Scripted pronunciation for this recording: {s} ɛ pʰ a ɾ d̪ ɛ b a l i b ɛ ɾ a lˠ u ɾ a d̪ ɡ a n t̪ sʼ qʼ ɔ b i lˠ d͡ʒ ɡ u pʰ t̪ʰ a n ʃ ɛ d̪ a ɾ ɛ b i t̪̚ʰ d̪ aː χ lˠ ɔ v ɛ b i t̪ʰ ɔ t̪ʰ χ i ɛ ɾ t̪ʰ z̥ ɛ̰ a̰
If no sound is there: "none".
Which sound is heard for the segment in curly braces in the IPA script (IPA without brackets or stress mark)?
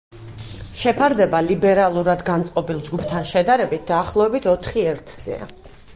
ʃ